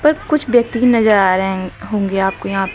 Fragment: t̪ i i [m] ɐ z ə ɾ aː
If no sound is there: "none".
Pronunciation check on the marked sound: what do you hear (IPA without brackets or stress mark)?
n